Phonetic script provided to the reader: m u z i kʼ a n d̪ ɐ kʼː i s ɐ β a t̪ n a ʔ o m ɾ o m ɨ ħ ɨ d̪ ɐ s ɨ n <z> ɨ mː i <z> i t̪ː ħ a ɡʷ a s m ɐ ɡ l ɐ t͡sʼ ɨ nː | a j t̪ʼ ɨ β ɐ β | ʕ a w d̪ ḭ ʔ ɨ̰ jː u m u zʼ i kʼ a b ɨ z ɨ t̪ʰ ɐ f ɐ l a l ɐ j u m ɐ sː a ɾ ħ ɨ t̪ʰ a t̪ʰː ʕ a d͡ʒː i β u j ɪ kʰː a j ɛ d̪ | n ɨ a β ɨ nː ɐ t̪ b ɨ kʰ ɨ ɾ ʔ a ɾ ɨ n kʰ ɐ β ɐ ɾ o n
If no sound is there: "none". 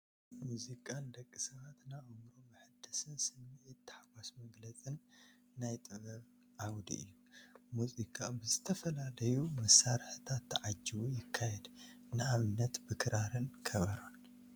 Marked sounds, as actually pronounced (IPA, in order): s, ʕ

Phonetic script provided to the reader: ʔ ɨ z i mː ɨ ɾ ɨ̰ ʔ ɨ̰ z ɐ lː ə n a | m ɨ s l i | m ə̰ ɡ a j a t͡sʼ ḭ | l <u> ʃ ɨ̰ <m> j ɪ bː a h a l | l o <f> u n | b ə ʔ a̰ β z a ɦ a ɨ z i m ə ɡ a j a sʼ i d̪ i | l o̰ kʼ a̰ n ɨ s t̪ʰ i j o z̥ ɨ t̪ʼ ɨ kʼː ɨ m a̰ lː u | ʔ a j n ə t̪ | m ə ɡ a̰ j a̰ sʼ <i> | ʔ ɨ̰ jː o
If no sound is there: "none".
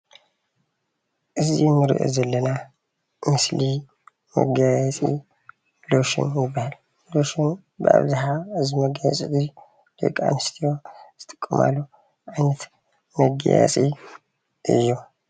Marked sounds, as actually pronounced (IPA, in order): o, n, ʃ, i

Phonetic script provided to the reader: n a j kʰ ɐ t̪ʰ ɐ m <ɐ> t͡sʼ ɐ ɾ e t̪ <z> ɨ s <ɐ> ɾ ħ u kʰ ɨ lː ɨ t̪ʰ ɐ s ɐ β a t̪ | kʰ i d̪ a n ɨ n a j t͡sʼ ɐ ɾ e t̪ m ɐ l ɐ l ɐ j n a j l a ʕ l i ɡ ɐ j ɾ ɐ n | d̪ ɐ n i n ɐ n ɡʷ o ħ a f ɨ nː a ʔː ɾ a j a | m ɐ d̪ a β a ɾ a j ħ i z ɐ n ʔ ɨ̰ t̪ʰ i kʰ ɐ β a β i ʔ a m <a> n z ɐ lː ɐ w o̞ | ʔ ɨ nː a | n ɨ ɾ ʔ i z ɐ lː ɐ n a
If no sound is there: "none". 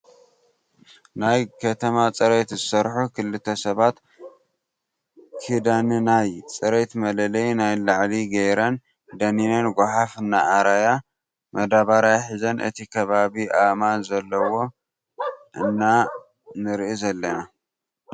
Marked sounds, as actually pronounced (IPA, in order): a, z, ɐ, a

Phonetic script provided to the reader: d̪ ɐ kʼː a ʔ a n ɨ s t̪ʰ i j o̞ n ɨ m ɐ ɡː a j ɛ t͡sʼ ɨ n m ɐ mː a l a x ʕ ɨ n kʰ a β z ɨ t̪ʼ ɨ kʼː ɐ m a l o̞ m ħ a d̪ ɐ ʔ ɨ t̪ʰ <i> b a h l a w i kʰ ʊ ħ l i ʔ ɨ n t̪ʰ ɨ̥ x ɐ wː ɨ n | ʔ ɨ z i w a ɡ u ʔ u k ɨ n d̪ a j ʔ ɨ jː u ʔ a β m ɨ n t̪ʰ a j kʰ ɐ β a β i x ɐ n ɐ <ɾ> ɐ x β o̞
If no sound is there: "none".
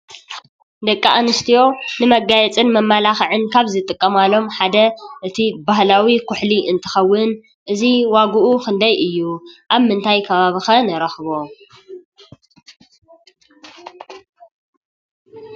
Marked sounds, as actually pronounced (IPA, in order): i, ɾ

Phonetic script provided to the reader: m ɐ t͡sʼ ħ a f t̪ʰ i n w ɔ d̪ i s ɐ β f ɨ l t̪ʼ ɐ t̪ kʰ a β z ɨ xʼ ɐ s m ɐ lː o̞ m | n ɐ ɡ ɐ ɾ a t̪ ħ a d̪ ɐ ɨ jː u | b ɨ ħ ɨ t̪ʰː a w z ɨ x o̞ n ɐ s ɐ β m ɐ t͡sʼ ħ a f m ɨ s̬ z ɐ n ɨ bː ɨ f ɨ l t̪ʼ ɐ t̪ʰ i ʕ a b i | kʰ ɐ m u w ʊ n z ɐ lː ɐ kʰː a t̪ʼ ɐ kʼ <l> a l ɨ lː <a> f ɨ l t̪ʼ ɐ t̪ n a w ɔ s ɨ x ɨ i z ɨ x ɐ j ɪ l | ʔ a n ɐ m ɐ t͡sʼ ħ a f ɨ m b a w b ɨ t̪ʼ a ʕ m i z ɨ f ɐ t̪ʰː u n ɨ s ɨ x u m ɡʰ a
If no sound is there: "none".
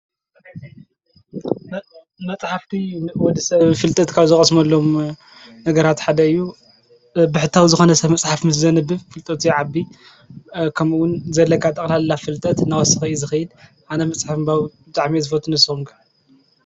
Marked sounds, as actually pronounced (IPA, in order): l, a

